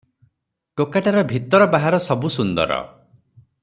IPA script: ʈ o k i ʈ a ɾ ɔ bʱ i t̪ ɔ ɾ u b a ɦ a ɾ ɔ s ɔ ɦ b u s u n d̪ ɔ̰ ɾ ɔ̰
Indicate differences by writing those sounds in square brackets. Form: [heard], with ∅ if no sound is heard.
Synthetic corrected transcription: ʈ o k [a] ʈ a ɾ ɔ bʱ i t̪ ɔ ɾ [ɔ] b a ɦ a ɾ ɔ s ɔ [∅] b u s u n d̪ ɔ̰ ɾ ɔ̰